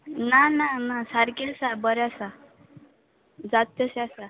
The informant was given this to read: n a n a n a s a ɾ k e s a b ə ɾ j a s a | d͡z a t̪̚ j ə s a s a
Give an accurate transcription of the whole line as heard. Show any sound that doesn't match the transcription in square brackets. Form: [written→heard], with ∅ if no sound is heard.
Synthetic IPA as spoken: n a n a n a s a ɾ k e s a b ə ɾ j a s a | d͡z a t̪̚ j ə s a s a